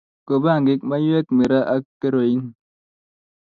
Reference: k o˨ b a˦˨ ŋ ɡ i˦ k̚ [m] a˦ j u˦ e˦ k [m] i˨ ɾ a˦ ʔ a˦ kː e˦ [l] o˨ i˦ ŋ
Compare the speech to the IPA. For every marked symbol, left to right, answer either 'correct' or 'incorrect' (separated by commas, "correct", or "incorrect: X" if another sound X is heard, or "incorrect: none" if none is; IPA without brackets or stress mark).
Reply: correct, correct, incorrect: ɾ